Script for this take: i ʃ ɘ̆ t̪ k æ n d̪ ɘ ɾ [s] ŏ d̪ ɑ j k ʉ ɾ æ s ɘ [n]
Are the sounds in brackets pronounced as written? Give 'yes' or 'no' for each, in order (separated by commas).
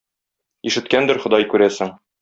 no, no